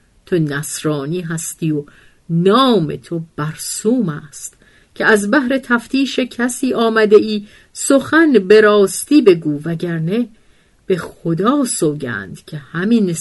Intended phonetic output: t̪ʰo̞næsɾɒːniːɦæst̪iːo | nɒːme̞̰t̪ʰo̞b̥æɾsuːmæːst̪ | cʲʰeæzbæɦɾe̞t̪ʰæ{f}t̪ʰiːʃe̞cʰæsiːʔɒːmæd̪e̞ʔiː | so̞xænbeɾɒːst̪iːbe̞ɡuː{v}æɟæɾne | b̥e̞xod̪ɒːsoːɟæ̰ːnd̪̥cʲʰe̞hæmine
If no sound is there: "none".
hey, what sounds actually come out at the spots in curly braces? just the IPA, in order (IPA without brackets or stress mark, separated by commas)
f, v